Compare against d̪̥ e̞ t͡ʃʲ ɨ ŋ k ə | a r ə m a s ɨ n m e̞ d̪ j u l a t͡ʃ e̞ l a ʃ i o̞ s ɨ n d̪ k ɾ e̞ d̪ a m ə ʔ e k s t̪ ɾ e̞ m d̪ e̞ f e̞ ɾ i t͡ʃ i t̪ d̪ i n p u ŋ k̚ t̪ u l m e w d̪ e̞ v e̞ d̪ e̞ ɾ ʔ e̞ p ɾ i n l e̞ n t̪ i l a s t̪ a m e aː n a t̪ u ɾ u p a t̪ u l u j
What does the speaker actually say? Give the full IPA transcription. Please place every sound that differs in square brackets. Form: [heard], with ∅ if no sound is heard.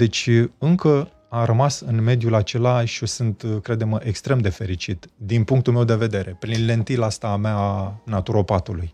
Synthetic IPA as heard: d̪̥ e̞ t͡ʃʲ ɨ ŋ k ə | a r ə m a s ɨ n m e̞ d̪ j u l a t͡ʃ e̞ l a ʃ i o̞ s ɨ n [t̪] k ɾ e̞ d̪ [e] m ə ʔ e k s t̪ ɾ e̞ m d̪ e̞ f e̞ ɾ i t͡ʃ i t̪ d̪ i n p u ŋ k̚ t̪ u l m e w d̪ e̞ v e̞ d̪ e̞ ɾ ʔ e̞ p ɾ i n l e̞ n t̪ i l a s t̪ a m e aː n a t̪ u ɾ [o] p a t̪ u l u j